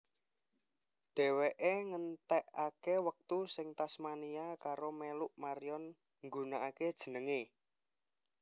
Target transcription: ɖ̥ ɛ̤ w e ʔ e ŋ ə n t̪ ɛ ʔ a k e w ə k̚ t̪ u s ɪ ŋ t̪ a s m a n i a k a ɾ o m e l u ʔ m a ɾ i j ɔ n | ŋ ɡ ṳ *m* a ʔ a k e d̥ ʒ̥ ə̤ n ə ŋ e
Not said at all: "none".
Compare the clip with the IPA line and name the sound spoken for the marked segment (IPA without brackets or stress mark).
n